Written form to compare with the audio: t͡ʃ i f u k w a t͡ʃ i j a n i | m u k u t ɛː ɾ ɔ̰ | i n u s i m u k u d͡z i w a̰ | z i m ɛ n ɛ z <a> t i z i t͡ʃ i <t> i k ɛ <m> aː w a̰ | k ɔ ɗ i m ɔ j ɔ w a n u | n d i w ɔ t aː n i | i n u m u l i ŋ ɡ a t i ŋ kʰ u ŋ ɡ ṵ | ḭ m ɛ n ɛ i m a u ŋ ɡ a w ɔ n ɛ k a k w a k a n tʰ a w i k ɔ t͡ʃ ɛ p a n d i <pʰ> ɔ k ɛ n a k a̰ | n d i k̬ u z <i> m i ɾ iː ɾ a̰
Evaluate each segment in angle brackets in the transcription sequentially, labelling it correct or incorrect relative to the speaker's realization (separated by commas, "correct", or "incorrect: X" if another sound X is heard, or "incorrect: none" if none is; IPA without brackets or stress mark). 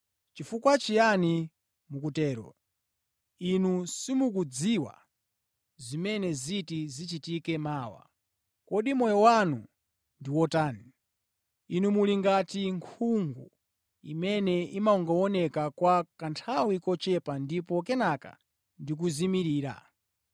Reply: incorrect: i, correct, correct, incorrect: p, correct